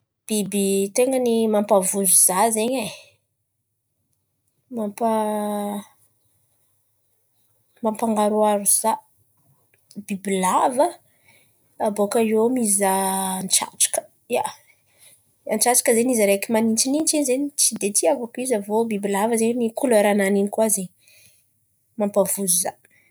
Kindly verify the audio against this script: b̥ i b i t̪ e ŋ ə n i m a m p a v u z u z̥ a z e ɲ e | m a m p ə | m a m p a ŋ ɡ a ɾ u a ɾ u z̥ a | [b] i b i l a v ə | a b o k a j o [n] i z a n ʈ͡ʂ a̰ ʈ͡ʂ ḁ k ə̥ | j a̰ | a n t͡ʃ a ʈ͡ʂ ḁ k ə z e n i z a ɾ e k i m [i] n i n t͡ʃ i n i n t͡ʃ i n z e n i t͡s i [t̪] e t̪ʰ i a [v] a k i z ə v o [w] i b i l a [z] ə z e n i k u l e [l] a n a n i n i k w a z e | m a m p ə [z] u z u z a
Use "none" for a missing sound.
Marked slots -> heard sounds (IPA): b, m, a, d̪, v, b, v, ɾ, v

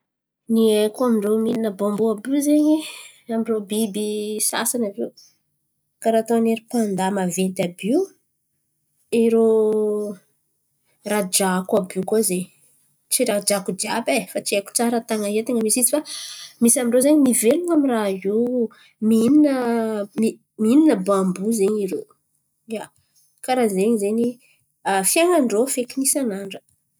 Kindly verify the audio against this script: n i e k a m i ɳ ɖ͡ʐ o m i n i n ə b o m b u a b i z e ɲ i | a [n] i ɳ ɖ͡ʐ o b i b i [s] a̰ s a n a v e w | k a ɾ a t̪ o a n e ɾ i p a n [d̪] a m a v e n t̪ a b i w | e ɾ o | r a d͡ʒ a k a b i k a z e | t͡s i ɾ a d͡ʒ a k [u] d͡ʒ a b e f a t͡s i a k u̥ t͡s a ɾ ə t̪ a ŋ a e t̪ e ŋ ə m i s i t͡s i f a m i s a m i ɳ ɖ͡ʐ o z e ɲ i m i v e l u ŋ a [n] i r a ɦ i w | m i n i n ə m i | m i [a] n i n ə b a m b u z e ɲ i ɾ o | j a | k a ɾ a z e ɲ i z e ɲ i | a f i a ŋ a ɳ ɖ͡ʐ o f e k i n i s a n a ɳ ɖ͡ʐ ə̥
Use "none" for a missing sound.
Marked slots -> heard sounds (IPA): m, s, d̪, u, m, i

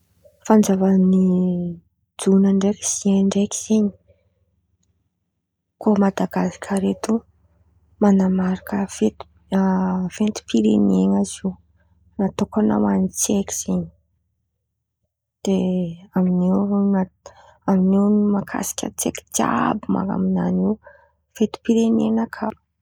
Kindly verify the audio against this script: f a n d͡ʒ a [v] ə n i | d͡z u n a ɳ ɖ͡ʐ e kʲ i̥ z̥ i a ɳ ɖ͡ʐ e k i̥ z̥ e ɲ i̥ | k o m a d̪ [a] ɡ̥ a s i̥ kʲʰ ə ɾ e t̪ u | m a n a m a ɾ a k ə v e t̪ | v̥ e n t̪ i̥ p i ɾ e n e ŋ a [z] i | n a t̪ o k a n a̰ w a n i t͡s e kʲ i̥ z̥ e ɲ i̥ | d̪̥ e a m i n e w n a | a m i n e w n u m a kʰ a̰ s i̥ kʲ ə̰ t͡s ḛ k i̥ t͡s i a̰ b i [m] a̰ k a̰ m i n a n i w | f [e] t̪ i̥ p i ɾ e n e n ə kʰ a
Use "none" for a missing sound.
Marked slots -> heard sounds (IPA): v, a, z, m, e

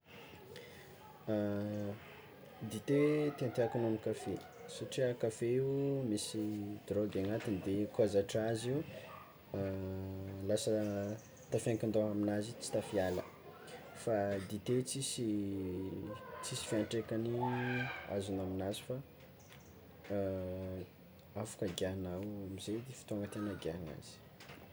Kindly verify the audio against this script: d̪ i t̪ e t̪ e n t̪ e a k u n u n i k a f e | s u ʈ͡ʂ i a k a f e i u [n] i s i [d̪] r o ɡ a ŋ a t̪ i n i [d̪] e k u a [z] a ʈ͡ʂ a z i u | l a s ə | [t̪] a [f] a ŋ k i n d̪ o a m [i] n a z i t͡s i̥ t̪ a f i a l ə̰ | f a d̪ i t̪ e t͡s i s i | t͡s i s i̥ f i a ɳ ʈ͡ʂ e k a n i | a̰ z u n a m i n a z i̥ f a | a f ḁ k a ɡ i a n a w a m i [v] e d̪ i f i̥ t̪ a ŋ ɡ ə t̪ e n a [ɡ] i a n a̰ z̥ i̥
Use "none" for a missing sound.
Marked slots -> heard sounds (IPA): m, d̪, d̪, z, t̪, f, i, z, ɡ

